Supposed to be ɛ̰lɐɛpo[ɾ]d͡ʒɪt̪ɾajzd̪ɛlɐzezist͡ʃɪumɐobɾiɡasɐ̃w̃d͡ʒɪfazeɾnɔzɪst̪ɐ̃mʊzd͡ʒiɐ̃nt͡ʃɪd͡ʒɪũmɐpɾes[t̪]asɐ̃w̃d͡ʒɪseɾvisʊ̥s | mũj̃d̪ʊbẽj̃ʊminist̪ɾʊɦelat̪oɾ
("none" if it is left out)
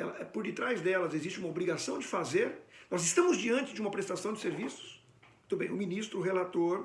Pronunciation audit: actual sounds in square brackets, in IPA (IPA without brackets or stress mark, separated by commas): ɾ, t̪